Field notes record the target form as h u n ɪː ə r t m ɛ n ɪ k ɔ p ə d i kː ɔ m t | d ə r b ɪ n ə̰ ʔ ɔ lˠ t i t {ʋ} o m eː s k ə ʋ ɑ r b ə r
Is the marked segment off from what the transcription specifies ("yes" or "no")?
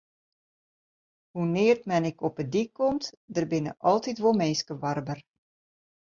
no